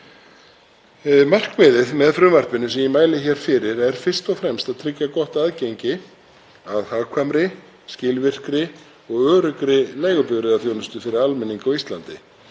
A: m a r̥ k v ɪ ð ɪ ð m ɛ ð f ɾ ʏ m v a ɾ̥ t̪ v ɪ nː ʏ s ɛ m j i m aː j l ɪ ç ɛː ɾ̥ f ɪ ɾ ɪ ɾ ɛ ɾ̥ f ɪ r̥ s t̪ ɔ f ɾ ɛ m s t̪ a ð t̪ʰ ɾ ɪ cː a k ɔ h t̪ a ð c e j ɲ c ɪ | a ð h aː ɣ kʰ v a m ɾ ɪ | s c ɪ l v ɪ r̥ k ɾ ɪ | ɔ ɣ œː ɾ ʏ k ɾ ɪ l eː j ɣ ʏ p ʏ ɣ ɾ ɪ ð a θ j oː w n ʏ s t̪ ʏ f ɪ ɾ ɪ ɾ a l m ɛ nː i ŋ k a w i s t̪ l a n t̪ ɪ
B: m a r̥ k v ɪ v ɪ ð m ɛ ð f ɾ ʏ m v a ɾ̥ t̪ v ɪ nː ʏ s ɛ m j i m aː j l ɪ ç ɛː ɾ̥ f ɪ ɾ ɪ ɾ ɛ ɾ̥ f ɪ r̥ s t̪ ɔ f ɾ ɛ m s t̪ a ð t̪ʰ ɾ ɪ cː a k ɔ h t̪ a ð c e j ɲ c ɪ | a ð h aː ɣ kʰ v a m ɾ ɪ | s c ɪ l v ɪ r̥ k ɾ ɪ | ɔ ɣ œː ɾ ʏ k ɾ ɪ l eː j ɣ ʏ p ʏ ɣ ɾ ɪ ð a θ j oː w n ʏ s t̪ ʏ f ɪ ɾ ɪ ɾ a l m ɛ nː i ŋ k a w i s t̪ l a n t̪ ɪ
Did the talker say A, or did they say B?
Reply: A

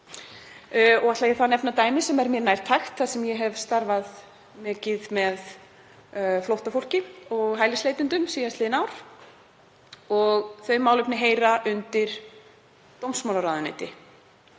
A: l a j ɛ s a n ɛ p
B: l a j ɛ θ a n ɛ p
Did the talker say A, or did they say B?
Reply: B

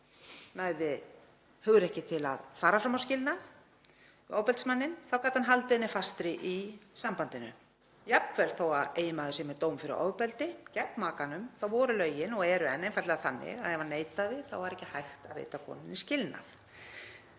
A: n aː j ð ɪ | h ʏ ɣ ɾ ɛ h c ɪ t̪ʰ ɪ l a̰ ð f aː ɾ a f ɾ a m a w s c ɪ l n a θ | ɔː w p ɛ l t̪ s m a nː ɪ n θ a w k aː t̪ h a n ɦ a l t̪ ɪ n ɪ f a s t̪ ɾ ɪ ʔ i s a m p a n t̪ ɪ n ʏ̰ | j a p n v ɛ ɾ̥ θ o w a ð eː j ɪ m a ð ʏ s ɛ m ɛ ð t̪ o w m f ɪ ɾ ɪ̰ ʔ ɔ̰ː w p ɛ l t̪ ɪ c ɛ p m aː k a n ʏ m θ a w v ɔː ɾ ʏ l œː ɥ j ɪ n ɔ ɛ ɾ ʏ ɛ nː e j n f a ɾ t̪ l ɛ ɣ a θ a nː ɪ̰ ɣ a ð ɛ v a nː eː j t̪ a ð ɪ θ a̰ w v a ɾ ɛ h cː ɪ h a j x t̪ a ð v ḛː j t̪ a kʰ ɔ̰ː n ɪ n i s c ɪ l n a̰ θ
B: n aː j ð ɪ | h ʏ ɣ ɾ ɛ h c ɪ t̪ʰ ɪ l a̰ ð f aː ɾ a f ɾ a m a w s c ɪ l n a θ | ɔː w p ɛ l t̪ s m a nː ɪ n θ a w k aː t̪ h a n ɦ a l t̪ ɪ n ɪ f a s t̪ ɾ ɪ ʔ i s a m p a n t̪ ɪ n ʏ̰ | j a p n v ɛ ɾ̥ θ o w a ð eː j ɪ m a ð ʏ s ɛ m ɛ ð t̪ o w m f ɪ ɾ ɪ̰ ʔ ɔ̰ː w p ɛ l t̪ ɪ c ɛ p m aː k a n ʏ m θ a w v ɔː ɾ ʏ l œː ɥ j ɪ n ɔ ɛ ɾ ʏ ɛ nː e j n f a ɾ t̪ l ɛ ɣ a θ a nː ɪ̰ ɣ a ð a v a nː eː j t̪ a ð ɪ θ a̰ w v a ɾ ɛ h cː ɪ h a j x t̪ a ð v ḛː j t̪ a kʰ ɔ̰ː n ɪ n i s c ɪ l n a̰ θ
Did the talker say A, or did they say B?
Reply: A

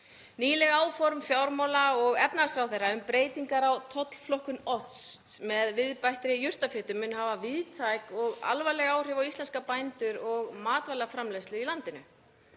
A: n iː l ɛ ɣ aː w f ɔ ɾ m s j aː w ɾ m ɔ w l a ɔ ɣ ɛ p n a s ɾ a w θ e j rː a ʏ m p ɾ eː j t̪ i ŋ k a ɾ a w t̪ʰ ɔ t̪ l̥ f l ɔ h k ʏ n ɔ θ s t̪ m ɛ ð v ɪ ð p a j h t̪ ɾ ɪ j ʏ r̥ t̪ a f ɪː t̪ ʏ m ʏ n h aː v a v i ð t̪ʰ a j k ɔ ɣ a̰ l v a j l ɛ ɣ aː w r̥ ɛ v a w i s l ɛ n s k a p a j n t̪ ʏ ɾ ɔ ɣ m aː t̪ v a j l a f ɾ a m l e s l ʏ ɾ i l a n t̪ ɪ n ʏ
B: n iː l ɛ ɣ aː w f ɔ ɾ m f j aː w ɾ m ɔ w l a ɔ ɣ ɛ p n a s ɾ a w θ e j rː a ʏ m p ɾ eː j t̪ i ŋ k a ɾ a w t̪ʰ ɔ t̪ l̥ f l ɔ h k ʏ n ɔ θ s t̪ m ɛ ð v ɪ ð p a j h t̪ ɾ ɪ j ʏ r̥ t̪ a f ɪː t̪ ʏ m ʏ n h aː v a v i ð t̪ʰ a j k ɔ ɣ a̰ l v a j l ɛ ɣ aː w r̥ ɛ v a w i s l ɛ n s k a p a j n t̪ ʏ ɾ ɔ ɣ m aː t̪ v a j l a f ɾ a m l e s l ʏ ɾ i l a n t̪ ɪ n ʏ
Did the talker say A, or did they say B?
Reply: B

